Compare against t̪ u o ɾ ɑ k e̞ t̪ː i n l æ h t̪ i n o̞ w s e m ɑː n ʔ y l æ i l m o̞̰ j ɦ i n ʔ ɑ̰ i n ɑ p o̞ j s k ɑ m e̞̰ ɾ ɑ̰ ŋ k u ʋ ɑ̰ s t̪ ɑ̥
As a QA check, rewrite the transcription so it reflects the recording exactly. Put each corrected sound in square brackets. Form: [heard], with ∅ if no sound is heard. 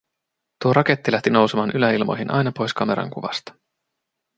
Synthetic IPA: t̪ u o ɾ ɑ k e̞ t̪ː i [∅] l æ h t̪ i n o̞ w s e m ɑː n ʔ y l æ i l m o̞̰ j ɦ i n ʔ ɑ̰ [j] n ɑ p o̞ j s k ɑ m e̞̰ ɾ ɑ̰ ŋ k u ʋ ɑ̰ s t̪ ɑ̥